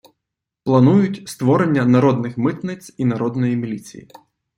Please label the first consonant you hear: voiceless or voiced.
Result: voiceless